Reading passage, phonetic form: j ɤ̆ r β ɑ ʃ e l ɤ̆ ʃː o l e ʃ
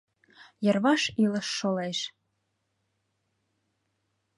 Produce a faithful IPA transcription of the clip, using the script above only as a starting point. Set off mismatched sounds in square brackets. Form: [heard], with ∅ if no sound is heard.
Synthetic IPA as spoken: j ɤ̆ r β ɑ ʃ [i] l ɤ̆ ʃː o l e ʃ